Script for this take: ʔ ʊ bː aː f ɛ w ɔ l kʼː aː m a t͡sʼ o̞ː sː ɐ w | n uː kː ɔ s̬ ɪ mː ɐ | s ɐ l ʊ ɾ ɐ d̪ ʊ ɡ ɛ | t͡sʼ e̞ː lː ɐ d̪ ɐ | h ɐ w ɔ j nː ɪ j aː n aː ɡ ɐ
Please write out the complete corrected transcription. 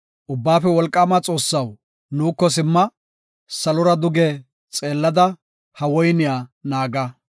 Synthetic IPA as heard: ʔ ʊ bː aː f ɛ w ɔ l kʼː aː m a t͡sʼ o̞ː sː ɐ w | n uː kː ɔ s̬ ɪ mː ɐ | s ɐ l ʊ ɾ ɐ d̪ ʊ ɡ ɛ | t͡sʼ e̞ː lː ɐ d̪ ɐ | h ɐ w ɔ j n ɪ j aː n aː ɡ ɐ